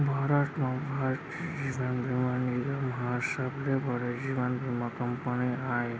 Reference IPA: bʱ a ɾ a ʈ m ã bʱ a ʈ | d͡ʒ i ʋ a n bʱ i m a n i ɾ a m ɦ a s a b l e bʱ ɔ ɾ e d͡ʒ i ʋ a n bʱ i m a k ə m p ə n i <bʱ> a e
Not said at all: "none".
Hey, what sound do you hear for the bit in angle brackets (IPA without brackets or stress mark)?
none